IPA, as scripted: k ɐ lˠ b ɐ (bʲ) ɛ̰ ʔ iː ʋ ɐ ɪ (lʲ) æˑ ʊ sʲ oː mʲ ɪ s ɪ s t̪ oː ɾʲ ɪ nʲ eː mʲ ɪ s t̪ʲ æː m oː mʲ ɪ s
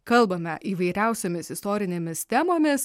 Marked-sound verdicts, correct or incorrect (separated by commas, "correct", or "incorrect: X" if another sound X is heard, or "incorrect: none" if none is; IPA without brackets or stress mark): incorrect: mʲ, incorrect: ɾʲ